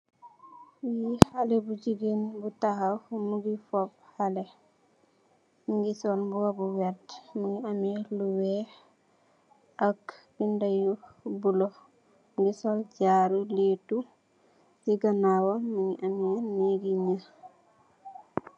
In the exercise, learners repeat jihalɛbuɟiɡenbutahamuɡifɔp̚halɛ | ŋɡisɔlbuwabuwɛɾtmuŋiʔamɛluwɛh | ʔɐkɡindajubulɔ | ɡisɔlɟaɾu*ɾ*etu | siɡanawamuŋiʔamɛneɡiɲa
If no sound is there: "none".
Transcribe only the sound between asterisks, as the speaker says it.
l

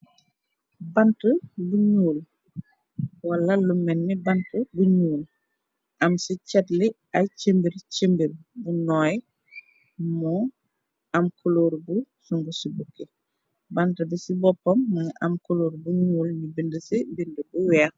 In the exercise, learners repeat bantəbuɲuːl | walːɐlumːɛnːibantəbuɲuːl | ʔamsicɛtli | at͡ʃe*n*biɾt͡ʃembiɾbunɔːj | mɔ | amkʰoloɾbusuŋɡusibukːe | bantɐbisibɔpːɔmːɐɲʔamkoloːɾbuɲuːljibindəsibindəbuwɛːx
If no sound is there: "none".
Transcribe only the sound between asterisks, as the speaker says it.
m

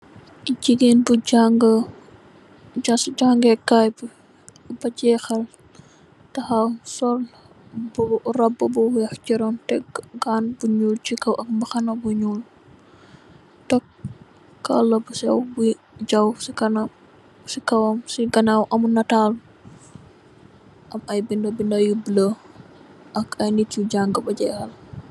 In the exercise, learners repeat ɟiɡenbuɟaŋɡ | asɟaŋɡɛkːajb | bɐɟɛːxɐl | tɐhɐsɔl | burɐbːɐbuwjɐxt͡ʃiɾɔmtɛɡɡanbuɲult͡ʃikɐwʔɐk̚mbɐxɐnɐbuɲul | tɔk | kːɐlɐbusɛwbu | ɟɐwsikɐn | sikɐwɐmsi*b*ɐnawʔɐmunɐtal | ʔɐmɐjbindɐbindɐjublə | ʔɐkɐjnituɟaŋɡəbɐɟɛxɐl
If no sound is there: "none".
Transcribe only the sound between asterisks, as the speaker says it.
ɡ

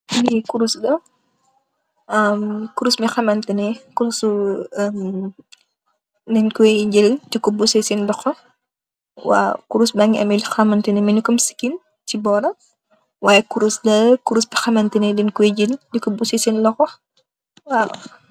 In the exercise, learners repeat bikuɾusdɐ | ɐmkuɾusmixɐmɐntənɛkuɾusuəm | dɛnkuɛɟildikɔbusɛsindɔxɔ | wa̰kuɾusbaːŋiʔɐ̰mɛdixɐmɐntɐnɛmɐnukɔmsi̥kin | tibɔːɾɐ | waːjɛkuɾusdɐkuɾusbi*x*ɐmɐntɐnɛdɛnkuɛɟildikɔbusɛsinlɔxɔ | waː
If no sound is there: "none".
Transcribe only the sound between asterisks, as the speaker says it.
x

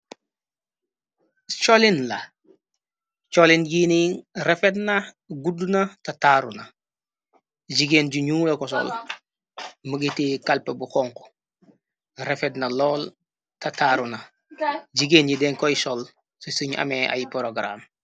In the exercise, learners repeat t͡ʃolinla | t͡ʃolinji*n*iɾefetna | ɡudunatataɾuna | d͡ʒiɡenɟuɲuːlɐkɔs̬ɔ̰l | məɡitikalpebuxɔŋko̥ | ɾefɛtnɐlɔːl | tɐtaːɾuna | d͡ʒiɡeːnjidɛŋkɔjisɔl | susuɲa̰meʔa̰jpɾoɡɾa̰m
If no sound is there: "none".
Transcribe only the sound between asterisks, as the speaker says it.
n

